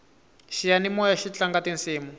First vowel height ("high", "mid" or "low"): high